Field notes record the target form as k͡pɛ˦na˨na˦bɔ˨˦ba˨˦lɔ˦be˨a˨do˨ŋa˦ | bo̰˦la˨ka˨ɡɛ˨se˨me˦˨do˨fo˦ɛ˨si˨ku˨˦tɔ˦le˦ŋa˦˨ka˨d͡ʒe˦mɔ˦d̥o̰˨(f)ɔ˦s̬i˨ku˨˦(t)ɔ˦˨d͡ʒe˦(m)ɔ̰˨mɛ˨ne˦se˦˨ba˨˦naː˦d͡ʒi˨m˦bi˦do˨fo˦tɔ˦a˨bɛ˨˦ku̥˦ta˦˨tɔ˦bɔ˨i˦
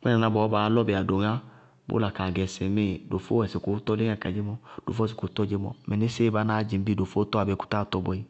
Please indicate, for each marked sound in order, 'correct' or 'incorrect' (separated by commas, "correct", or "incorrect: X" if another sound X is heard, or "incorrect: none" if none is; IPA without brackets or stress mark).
correct, correct, correct